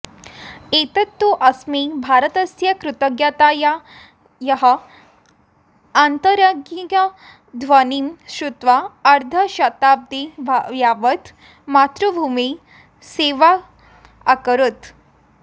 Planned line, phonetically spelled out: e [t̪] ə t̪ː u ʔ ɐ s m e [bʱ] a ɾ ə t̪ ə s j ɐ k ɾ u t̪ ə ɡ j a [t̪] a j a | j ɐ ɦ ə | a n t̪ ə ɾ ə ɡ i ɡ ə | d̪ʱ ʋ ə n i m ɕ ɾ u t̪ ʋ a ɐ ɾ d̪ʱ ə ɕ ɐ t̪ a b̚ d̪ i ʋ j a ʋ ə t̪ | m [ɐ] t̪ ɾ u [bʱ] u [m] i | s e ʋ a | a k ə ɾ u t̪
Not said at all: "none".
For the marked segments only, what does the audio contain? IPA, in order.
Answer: t̪, bʱ, t̪, a, bʱ, m

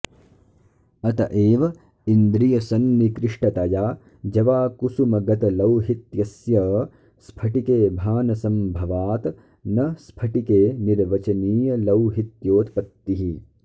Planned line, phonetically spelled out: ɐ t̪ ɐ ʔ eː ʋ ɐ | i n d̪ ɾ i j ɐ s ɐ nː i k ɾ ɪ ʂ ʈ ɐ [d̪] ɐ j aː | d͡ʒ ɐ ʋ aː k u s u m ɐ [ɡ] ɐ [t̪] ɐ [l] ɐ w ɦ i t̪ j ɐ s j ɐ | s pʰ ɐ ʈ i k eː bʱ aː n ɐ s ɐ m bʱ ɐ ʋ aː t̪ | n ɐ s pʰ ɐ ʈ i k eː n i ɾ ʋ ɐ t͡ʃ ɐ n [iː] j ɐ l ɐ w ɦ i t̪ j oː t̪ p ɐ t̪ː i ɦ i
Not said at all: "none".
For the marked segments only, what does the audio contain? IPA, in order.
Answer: t̪, ɡ, t̪, l, iː

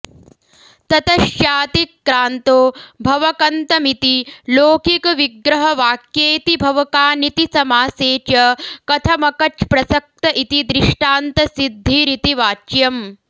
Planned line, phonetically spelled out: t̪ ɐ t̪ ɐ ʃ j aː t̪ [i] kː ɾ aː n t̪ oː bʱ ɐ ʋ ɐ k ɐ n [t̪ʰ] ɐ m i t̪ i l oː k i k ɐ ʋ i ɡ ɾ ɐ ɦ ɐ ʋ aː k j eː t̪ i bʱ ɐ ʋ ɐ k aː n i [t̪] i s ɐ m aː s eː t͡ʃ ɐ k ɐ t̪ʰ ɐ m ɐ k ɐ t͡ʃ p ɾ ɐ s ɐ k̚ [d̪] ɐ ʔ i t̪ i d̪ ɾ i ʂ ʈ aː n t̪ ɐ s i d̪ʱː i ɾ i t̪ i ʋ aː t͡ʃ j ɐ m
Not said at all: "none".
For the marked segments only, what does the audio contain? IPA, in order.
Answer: i, t̪, t̪, t̪

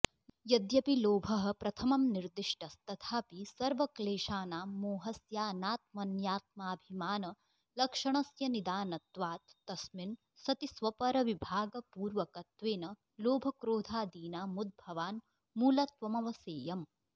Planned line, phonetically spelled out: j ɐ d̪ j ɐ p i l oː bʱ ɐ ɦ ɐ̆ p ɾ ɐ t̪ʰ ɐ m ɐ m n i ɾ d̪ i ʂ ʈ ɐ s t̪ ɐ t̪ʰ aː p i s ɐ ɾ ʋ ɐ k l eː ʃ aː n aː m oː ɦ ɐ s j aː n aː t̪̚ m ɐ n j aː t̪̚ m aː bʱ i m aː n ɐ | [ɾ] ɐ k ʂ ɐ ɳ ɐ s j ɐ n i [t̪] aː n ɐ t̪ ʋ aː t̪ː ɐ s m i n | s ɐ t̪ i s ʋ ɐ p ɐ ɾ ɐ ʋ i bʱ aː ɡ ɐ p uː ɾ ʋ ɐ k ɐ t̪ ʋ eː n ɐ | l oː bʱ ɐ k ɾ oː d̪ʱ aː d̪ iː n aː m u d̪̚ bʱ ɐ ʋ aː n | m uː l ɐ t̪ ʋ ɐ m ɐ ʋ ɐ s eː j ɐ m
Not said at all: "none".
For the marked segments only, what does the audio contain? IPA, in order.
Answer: l, d̪

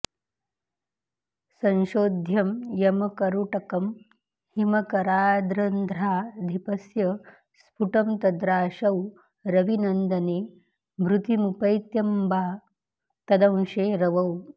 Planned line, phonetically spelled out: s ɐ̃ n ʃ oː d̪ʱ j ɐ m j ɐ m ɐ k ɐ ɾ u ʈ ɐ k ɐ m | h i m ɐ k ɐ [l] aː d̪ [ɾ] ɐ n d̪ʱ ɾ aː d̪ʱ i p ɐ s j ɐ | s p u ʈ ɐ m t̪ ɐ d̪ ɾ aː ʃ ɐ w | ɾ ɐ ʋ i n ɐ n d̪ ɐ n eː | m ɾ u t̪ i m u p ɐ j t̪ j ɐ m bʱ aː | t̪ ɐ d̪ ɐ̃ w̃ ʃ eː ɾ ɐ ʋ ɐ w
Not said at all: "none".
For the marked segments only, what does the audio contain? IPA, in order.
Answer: ɾ, ɾ

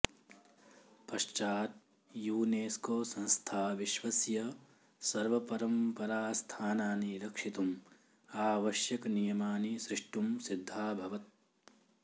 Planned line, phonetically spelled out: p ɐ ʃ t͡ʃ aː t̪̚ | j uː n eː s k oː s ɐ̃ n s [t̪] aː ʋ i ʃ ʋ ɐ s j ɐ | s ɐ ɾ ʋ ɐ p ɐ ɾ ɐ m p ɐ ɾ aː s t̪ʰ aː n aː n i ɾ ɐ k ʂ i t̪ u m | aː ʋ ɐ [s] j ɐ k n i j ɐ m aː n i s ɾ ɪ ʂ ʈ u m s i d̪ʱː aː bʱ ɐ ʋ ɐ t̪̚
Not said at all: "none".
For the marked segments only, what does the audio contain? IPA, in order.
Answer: t̪ʰ, ʃ

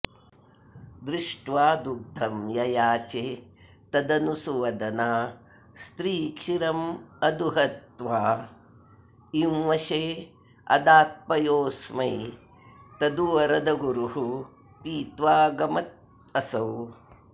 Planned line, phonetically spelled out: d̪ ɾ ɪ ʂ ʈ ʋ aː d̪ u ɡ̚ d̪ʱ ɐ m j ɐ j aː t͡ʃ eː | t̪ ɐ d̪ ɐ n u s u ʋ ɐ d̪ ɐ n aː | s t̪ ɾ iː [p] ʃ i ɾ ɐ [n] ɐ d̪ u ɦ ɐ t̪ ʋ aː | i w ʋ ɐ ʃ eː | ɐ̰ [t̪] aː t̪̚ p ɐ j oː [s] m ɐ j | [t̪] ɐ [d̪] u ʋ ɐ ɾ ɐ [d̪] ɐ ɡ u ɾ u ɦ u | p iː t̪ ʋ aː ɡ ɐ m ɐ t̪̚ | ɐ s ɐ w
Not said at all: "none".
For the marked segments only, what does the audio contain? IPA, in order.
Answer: k, m, d̪, s, t̪, d̪, d̪

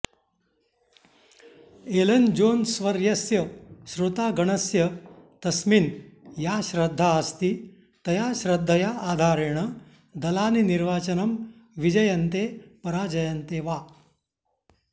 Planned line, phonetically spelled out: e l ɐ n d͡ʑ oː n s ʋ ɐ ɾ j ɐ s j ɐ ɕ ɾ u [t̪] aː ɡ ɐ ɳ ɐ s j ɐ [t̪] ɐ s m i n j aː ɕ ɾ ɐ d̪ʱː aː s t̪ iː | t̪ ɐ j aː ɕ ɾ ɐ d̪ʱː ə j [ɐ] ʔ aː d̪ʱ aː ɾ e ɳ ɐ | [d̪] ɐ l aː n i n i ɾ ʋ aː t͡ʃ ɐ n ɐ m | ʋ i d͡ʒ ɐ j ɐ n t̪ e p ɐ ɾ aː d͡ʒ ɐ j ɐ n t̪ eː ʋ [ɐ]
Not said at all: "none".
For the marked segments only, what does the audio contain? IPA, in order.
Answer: t̪, t̪, a, d̪, a

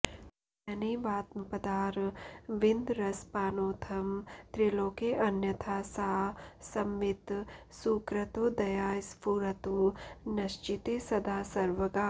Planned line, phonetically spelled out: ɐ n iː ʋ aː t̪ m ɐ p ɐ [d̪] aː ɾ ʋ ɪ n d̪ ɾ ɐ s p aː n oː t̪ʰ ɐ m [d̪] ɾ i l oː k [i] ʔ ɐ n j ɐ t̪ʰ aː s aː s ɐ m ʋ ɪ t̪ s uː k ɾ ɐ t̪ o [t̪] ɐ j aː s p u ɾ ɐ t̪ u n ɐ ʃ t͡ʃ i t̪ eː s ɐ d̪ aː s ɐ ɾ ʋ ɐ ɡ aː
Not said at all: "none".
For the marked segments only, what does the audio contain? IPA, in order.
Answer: d̪, t̪, e, d̪

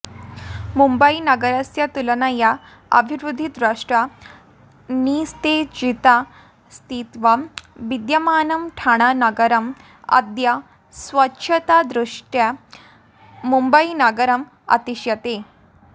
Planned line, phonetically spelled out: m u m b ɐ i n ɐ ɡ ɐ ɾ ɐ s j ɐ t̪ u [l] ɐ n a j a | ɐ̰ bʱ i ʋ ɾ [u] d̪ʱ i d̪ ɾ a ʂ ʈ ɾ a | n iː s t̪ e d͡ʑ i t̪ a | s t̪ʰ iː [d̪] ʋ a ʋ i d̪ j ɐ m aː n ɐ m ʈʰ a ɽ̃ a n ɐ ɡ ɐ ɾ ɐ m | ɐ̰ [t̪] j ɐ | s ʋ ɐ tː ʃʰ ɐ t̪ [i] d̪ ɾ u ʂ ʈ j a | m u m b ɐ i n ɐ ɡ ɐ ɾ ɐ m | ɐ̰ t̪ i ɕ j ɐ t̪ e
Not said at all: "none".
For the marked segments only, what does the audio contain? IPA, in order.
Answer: l, u, t̪, d̪, a

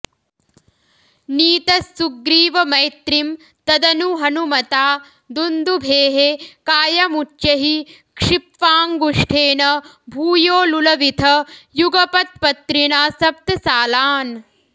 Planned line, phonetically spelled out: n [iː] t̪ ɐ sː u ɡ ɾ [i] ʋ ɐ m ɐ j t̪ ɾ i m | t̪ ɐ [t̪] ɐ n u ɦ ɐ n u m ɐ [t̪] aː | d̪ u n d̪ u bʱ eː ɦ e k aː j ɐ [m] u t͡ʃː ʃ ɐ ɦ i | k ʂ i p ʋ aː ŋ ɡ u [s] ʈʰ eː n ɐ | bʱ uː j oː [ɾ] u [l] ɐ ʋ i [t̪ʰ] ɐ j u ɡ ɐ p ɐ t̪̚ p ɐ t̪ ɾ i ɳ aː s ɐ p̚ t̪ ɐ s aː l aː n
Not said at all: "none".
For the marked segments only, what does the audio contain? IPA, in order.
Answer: iː, iː, d̪, t̪, m, ʂ, l, l, t̪ʰ

